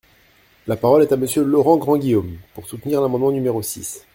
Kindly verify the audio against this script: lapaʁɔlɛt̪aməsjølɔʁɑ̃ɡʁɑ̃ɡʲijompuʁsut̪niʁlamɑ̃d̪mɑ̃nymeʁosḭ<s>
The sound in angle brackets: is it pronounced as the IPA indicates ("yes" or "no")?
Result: yes